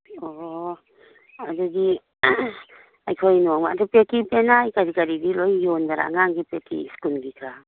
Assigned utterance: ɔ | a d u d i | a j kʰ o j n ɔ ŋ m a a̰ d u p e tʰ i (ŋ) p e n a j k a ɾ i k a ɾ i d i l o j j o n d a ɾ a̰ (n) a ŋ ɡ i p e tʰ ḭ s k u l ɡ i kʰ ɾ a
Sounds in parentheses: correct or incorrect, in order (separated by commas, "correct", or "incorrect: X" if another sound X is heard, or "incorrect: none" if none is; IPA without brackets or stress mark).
incorrect: none, incorrect: ŋ